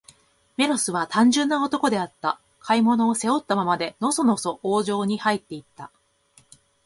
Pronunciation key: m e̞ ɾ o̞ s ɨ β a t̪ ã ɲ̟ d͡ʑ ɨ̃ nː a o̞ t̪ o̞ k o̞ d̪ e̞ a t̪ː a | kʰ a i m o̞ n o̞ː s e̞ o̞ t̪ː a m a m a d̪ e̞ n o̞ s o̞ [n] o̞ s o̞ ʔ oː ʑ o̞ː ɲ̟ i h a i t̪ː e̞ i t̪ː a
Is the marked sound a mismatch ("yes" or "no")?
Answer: no